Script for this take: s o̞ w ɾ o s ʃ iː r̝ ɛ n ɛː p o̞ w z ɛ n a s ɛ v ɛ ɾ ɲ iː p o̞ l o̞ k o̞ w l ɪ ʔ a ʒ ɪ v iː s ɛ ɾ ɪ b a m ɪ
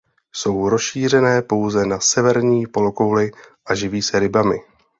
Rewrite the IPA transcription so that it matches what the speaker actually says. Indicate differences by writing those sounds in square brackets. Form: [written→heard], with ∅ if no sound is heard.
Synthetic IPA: s o̞ w ɾ o s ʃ iː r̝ ɛ n ɛː p o̞ w z ɛ n a s ɛ v ɛ ɾ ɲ iː p o̞ l o̞ k o̞ w l ɪ ʔ a ʒ ɪ v iː s ɛ ɾ ɪ b a m ɪ